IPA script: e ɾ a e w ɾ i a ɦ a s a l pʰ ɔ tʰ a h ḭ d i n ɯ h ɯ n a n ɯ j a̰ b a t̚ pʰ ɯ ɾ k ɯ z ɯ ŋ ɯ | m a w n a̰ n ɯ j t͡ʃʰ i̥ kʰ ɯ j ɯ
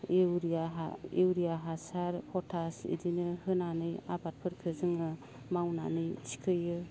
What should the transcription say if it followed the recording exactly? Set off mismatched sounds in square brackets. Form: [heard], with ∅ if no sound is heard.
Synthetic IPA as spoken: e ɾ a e w ɾ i a ɦ a s a [ɾ] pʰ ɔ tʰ a [s] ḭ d i n ɯ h ɯ n a n ɯ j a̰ b a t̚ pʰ ɯ ɾ [kʰ] ɯ z ɯ ŋ ɯ | m a w n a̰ n ɯ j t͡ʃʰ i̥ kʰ ɯ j ɯ

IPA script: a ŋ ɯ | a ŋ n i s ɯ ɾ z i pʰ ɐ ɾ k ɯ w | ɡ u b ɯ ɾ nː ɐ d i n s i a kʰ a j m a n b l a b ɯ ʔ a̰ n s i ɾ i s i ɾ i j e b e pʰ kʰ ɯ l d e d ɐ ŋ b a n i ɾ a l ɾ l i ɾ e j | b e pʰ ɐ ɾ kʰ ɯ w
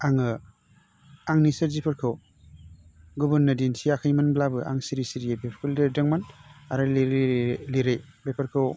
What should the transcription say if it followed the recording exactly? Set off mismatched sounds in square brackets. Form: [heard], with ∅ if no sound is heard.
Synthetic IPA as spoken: a ŋ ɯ | a ŋ n i s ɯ ɾ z i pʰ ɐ ɾ [kʰ] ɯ w | ɡ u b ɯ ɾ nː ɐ d i n s i a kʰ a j m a n b l a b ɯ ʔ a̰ [ŋ] s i ɾ i s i ɾ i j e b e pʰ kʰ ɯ l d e d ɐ ŋ [m] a n [a] ɾ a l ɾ l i ɾ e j | b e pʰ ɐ ɾ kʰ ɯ w

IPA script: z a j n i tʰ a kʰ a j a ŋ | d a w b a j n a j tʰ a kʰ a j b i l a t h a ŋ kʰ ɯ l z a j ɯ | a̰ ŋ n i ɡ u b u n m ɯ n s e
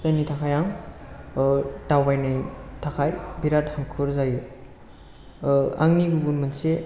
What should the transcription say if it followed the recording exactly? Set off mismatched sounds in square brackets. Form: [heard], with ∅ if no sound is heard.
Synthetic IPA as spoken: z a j n i tʰ a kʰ a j a ŋ | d a w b a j n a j tʰ a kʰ a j b i [ɾ] a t h a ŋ kʰ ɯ [ɾ] z a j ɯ | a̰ ŋ n i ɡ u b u n m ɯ n s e

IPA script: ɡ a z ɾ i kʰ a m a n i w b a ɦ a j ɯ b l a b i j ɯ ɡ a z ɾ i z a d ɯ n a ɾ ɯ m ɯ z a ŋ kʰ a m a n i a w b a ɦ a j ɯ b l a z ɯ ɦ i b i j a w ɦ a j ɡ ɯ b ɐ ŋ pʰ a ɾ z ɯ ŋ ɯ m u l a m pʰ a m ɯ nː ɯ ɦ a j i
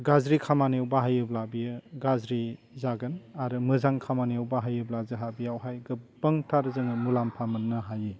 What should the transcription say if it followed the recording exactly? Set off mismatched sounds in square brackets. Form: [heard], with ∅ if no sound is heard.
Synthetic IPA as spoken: ɡ a z ɾ i kʰ a m a n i w b a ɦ a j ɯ b l a b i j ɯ ɡ a z ɾ i z a [ɡ] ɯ n a ɾ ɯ m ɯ z a ŋ kʰ a m a n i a w b a ɦ a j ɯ b l a z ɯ ɦ [a] b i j a w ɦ a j ɡ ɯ b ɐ ŋ [tʰ] a ɾ z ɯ ŋ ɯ m u l a m pʰ a m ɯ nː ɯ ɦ a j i

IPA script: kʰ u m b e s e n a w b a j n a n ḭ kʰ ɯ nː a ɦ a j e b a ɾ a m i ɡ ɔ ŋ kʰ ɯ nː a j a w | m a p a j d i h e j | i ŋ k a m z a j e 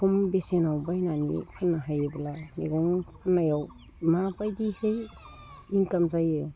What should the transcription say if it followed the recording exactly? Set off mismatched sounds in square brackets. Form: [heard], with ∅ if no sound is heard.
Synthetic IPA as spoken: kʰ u m b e s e n a w b a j n a n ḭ [pʰ] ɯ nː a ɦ a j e b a [l] a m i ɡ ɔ ŋ [pʰ] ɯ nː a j a w | m a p a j d i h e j | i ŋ k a m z a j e

